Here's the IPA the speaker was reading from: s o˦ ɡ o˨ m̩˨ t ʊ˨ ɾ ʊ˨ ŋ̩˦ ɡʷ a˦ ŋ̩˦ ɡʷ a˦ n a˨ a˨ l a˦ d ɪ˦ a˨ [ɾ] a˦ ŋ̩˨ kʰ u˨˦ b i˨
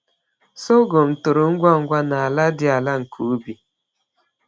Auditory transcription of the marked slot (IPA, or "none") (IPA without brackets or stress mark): l